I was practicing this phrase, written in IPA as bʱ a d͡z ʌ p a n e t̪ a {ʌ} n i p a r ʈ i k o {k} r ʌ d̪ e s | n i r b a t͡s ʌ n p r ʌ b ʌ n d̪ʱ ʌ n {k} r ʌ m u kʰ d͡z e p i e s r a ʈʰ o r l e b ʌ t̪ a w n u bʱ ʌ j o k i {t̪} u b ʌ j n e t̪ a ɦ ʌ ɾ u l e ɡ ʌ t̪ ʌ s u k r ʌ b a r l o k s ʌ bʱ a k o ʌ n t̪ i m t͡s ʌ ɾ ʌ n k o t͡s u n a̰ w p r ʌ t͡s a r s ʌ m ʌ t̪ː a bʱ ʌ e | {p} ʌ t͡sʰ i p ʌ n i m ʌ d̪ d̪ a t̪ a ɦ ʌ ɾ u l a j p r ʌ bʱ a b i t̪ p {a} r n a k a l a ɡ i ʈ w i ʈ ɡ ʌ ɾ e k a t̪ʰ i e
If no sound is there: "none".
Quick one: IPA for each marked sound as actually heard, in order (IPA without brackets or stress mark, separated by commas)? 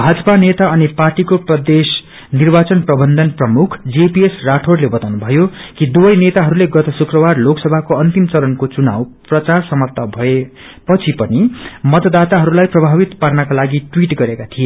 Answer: ʌ, p, p, d̪, p, a